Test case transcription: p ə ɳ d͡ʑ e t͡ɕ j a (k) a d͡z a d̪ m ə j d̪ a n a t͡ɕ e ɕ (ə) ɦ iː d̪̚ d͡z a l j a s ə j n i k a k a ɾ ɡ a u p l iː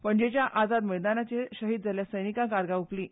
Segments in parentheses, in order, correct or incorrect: incorrect: ʔ, correct

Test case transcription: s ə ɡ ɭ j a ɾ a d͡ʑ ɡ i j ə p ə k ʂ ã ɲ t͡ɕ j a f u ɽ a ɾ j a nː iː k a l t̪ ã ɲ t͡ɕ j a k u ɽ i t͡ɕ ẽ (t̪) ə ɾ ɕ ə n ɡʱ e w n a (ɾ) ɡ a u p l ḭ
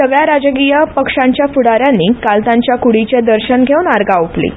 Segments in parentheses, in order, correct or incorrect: incorrect: d̪, correct

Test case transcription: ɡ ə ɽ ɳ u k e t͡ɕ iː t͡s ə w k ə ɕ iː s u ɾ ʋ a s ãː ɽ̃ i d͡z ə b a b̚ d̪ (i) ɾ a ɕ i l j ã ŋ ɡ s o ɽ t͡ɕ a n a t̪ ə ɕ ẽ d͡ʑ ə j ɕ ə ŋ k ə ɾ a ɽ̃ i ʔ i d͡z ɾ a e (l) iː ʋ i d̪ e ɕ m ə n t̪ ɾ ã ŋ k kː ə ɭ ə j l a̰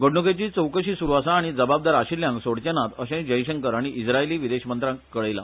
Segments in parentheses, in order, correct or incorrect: incorrect: a, correct

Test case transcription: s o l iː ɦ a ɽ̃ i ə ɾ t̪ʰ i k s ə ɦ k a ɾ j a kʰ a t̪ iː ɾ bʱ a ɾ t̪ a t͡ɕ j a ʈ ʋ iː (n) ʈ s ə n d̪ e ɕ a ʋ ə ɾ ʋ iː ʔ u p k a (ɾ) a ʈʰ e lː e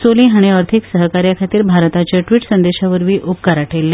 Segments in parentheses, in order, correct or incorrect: incorrect: none, correct

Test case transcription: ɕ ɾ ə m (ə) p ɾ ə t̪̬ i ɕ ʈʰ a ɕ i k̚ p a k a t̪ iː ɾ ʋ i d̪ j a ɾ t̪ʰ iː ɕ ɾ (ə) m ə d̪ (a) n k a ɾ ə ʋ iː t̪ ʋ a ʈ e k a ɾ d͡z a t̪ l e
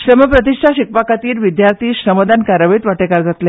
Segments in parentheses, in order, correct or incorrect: correct, correct, correct

